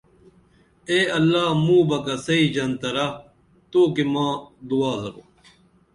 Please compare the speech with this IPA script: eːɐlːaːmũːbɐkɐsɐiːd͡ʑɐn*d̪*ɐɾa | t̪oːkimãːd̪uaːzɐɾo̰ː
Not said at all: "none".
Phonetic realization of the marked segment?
t̪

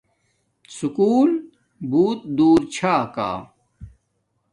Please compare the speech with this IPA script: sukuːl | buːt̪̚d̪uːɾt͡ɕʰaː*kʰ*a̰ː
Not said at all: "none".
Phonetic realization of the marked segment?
k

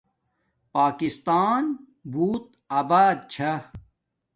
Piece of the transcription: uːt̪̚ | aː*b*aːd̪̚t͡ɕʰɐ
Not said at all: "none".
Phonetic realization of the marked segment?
b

